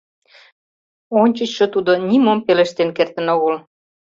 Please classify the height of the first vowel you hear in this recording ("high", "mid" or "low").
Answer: mid